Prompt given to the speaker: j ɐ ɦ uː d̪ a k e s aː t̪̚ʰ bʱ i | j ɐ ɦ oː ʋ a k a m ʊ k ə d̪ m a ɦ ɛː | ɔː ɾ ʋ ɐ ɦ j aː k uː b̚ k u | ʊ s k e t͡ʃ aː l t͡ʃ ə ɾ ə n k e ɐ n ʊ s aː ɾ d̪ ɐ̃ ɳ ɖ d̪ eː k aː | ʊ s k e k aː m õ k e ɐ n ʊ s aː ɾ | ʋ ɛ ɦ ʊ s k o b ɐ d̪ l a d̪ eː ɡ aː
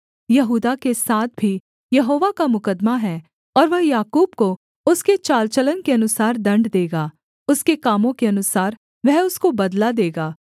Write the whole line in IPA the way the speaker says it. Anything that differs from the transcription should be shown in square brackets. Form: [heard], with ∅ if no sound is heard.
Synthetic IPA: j ɐ ɦ uː d̪ a k e s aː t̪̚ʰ bʱ i | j ɐ ɦ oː ʋ a k a m ʊ k ə d̪ m a ɦ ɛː | ɔː ɾ ʋ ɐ ɦ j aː k uː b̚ k [o] | ʊ s k e t͡ʃ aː l t͡ʃ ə [l] ə n k e ɐ n ʊ s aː ɾ d̪ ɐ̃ ɳ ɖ d̪ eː [ɡ] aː | ʊ s k e k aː m õ k e ɐ n ʊ s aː ɾ | ʋ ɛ ɦ ʊ s k o b ɐ d̪ l a d̪ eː ɡ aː